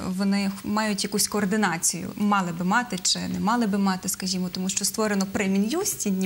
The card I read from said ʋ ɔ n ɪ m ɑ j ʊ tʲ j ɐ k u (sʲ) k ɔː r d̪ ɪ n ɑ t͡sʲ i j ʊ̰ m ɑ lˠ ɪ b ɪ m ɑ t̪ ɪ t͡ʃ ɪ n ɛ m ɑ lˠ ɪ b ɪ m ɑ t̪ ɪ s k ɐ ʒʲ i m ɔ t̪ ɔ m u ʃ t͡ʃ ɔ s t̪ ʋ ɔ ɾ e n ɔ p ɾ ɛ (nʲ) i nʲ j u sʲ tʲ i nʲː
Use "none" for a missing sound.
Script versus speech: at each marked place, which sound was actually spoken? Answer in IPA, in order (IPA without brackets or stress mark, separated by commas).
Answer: sʲ, mʲ